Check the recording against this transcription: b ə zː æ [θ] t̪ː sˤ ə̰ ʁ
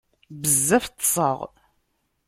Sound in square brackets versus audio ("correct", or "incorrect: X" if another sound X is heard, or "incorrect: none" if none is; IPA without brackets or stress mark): incorrect: f